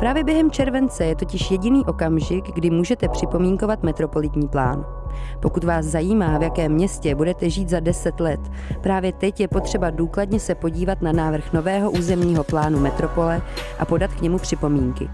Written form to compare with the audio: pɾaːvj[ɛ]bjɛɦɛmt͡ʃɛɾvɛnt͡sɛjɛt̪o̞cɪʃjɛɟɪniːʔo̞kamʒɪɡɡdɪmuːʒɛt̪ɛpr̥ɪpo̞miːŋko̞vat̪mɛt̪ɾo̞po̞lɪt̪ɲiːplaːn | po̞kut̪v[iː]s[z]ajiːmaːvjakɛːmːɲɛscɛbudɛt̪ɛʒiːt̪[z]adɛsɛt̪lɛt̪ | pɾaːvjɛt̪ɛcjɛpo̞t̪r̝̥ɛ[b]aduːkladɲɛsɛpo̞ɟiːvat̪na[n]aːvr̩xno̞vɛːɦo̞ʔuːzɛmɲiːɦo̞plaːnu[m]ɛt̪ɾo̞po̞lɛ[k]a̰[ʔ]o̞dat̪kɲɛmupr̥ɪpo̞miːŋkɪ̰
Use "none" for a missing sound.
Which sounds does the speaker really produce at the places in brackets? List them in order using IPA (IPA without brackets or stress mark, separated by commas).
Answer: ɛ, aː, z, z, b, n, m, ʔ, p